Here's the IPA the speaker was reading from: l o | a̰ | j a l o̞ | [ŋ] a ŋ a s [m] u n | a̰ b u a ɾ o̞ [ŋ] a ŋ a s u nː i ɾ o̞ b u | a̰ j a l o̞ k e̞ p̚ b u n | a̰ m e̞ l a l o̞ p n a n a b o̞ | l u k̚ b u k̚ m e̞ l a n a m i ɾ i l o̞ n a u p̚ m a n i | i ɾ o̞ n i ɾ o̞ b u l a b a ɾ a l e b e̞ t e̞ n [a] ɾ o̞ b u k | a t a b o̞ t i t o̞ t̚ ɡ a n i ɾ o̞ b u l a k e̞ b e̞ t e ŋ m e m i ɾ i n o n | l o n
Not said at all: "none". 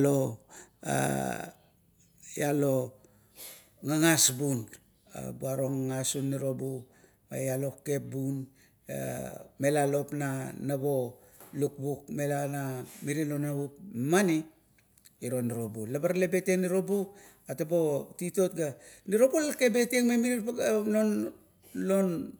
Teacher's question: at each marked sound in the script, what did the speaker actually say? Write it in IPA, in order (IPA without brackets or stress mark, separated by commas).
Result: ŋ, b, ŋ, i